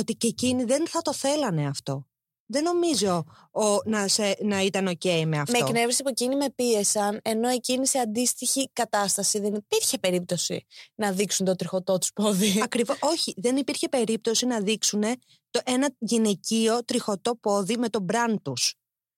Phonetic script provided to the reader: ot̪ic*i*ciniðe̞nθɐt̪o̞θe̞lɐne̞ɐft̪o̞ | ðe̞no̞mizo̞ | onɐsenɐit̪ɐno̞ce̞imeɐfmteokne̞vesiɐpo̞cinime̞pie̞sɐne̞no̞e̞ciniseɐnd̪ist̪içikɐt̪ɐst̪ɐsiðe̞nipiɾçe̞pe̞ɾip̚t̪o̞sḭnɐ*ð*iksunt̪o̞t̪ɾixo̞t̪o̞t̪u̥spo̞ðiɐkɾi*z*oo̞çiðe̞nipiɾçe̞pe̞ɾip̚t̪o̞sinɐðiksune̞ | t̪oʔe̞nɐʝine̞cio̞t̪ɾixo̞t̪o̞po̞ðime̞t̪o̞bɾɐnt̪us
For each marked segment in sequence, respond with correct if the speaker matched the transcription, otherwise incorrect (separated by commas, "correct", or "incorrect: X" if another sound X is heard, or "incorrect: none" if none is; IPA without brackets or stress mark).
incorrect: e, correct, incorrect: v